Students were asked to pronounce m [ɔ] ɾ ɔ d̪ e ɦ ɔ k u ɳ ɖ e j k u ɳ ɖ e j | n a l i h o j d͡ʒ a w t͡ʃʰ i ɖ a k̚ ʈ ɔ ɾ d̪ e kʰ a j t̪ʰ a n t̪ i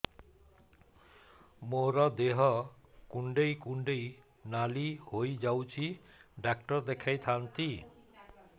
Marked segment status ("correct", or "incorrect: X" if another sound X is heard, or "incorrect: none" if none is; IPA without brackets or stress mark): incorrect: o